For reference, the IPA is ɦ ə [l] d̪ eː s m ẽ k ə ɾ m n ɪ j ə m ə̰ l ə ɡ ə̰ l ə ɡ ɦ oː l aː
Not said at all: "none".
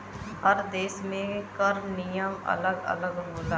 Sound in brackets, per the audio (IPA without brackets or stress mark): ɾ